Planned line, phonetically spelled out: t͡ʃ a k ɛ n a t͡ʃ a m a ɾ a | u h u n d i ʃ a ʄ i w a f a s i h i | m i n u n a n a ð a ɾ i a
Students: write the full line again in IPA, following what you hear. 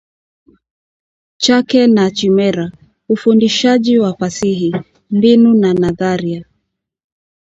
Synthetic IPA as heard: t͡ʃ a k ɛ n a t͡ʃ i m ɛ ɾ a | u f u n d i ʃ a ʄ i w a f a s i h i | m i n u n a n a ð a ɾ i a